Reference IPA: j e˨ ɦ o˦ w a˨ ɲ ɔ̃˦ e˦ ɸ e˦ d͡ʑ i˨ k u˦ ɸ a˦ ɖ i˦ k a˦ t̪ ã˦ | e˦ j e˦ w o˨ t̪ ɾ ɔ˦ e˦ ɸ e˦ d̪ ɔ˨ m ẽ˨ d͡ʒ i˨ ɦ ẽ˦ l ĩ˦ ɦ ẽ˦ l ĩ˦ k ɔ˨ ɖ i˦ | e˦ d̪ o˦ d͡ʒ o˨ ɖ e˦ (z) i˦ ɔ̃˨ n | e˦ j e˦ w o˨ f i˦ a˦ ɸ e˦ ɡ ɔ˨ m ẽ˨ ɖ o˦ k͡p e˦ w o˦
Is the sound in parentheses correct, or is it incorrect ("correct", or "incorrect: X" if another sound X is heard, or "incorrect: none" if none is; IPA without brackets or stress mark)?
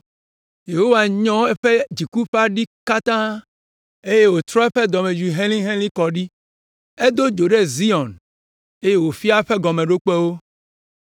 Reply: correct